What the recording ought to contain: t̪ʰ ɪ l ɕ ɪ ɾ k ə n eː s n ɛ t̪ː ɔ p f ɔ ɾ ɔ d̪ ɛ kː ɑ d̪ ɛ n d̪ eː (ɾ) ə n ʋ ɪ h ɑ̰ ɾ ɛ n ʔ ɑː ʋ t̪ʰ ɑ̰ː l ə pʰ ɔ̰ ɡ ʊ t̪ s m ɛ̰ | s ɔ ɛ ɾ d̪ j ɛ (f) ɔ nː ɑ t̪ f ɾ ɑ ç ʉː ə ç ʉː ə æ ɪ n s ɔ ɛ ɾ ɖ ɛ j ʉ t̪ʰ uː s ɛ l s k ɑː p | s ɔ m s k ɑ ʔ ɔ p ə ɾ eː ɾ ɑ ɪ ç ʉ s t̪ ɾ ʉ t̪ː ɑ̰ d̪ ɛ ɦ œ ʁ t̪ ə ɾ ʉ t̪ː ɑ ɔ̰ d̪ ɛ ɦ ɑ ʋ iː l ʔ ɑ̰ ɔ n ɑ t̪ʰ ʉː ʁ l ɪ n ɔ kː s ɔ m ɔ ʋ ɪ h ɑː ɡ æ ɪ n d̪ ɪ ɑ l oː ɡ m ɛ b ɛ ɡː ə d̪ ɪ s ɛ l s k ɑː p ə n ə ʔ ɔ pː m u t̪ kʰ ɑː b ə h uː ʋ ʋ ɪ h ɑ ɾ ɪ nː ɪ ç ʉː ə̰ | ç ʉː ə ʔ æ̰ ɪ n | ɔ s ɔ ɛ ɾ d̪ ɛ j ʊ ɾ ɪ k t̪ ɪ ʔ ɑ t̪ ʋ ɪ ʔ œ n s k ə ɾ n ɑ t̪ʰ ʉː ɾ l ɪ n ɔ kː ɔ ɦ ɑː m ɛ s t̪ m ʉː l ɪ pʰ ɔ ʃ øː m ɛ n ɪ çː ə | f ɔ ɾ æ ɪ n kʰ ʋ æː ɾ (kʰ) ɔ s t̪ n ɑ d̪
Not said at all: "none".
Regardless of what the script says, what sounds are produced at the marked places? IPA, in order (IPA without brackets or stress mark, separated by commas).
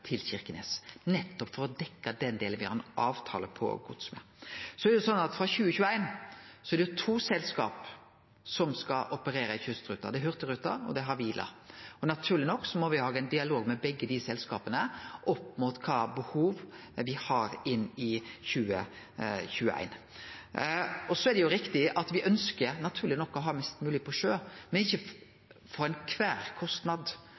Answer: l, s, kʰ